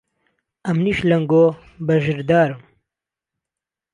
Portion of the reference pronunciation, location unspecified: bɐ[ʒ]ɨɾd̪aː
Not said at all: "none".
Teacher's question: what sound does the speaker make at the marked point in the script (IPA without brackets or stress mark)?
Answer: ʒ